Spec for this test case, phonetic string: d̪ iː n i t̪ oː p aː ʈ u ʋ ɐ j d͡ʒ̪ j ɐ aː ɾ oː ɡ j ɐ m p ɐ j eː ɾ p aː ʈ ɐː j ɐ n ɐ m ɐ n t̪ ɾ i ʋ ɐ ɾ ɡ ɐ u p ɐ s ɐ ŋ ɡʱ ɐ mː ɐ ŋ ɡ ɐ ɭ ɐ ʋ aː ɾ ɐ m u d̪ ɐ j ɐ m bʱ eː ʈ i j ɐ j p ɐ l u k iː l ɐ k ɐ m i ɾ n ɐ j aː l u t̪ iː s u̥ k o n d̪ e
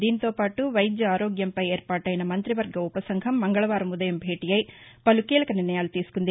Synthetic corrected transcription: d̪ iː n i t̪ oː p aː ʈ u ʋ ɐ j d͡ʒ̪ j ɐ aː ɾ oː ɡ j ɐ m p ɐ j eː ɾ p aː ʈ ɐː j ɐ n ɐ m ɐ n t̪ ɾ i ʋ ɐ ɾ ɡ ɐ u p ɐ s ɐ ŋ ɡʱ ɐ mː ɐ ŋ ɡ ɐ ɭ ɐ ʋ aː ɾ ɐ m u d̪ ɐ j ɐ m bʱ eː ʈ i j ɐ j p ɐ l u k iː l ɐ k ɐ n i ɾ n ɐ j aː l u t̪ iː s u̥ k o n d̪ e

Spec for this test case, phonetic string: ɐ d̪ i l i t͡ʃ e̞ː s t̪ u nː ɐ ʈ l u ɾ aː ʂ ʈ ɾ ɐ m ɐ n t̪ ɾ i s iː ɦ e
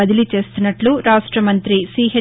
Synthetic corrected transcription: ɐ d̪ i l i t͡ʃ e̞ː s t̪ u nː ɐ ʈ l u ɾ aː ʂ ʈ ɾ ɐ m ɐ n t̪ ɾ i s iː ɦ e

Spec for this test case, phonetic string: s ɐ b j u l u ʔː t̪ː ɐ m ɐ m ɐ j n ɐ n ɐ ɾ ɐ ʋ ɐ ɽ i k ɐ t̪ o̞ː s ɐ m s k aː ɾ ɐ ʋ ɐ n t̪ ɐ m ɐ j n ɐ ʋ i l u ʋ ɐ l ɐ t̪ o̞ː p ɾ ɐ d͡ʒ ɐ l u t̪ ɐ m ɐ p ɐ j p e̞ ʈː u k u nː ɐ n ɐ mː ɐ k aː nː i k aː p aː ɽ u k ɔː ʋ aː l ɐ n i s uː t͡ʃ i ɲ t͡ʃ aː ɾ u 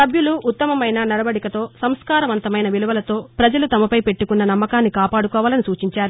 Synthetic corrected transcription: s ɐ b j u l u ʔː t̪ː ɐ m ɐ m ɐ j n ɐ n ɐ ɾ ɐ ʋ ɐ ɽ i k ɐ t̪ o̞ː s ɐ m s k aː ɾ ɐ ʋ ɐ n t̪ ɐ m ɐ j n ɐ ʋ i l u ʋ ɐ l ɐ t̪ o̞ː p ɾ ɐ d͡ʒ ɐ l u t̪ ɐ m ɐ p ɐ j p e̞ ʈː u k u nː ɐ n ɐ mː ɐ k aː nː i k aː p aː ɽ u k ɔː ʋ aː l ɐ n i s uː t͡ʃ i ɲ t͡ʃ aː ɾ u

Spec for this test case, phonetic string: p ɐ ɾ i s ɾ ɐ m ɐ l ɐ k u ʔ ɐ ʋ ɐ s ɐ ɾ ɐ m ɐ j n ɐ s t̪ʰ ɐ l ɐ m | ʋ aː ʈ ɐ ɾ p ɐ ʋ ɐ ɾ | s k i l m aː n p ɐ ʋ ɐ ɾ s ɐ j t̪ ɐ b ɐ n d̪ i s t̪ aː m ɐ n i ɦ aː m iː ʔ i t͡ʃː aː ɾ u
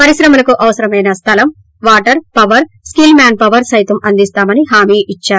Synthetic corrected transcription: p ɐ ɾ i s ɾ ɐ m ɐ l ɐ k u ʔ ɐ ʋ ɐ s ɐ ɾ ɐ m ɐ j n ɐ s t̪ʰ ɐ l ɐ m | ʋ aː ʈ ɐ ɾ p ɐ ʋ ɐ ɾ | s k i l m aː n p ɐ ʋ ɐ ɾ s ɐ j t̪ ɐ m ɐ n d̪ i s t̪ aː m ɐ n i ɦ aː m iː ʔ i t͡ʃː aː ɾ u

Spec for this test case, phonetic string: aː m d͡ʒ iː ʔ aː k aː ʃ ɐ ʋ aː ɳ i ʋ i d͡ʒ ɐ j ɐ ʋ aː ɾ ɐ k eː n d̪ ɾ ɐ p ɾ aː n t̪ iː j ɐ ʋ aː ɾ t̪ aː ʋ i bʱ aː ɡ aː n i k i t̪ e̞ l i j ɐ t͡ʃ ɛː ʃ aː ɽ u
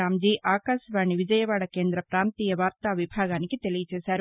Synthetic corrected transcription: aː m d͡ʒ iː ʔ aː k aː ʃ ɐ ʋ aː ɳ i ʋ i d͡ʒ ɐ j ɐ ʋ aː ɽ ɐ k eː n d̪ ɾ ɐ p ɾ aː n t̪ iː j ɐ ʋ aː ɾ t̪ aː ʋ i bʱ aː ɡ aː n i k i t̪ e̞ l i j ɐ t͡ʃ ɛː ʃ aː ɾ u

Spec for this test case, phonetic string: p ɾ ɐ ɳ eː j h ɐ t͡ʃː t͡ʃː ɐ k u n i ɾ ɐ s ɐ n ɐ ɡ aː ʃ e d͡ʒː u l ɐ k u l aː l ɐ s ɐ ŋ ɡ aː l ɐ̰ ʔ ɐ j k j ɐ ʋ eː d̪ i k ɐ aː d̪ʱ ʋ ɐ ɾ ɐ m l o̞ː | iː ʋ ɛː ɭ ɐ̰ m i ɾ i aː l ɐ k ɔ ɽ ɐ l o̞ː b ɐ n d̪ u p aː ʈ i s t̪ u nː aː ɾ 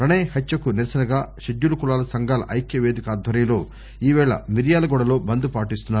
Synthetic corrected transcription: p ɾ ɐ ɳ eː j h ɐ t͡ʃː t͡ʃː ɐ k u n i ɾ ɐ s ɐ n ɐ ɡ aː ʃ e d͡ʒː u l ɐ k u l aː l ɐ s ɐ ŋ ɡ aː l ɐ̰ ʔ ɐ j k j ɐ ʋ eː d̪ i k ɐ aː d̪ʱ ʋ ɐ ɾ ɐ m l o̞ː | iː ʋ ɛː ɭ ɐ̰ m i ɾ j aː l ɐ ɡ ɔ ɽ ɐ l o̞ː b ɐ n d̪ u p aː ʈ i s t̪ u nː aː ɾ

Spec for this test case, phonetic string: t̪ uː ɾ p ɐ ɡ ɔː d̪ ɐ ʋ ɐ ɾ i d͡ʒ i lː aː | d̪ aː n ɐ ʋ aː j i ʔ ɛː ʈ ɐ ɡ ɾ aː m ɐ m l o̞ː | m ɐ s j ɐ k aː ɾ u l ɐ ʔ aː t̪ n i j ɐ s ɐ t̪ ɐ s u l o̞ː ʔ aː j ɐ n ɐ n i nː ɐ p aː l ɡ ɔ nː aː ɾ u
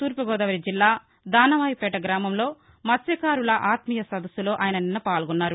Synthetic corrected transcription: t̪ uː ɾ p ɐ ɡ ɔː d̪ ɐ ʋ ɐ ɾ i d͡ʒ i lː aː | d̪ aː n ɐ ʋ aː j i p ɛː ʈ ɐ ɡ ɾ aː m ɐ m l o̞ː | m ɐ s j ɐ k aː ɾ u l ɐ ʔ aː t̪ m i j ɐ s ɐ d̪ ɐ s u l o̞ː ʔ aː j ɐ n ɐ n i nː ɐ p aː l ɡ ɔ nː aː ɾ u

